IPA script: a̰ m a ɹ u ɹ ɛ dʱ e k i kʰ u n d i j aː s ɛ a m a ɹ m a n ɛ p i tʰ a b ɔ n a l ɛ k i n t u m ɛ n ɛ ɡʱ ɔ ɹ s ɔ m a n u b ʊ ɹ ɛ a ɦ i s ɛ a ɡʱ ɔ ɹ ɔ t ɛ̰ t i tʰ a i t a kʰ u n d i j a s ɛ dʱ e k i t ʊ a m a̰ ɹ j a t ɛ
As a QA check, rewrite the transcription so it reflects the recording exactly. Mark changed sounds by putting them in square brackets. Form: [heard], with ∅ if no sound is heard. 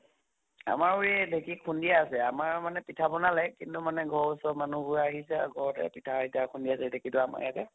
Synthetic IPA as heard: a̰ m a ɹ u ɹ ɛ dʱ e k i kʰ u n d i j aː s ɛ a m a ɹ m a n ɛ p i tʰ a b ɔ n a l ɛ k i n t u m [a] n ɛ ɡʱ ɔ ɹ s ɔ m a n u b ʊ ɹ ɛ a ɦ i s ɛ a ɡʱ ɔ ɹ ɔ t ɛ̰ [p] i tʰ a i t a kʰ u n d i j a s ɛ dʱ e k i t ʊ a m a̰ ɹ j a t ɛ